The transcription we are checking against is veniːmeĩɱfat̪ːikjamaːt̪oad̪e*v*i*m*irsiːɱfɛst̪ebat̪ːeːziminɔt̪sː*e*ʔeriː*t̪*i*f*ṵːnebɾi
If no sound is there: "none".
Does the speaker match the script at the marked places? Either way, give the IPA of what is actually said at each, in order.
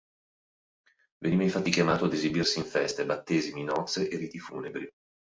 z, b, e, t̪, f

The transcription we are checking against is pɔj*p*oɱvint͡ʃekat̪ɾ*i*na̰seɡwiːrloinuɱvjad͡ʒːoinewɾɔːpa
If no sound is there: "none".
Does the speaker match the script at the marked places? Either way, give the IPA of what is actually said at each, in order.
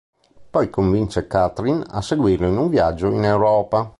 k, i

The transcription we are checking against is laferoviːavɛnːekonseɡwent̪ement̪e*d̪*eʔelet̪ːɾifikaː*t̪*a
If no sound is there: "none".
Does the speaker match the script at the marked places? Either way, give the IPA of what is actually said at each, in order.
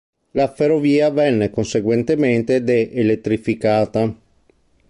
d̪, t̪

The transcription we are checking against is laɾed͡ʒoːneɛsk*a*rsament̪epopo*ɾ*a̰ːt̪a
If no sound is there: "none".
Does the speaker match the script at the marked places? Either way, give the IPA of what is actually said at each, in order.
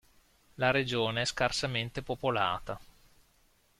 a, l

